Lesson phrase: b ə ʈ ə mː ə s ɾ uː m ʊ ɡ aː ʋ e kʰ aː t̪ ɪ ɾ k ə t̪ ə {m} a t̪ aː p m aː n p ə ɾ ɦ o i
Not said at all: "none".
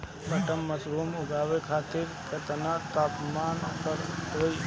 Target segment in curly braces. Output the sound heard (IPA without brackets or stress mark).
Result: n